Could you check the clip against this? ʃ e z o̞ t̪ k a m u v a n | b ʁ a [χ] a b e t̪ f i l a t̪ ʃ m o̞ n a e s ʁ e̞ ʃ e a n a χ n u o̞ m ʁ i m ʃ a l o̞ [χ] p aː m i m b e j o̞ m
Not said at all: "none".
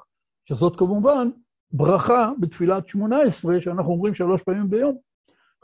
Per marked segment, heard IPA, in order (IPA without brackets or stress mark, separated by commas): χ, ʃ